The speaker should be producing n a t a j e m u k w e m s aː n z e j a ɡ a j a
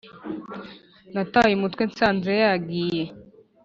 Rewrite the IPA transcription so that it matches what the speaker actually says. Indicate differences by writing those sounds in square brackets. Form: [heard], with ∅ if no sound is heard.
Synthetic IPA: n a t a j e m u [t] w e [n] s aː n z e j a ɡ [i] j [e]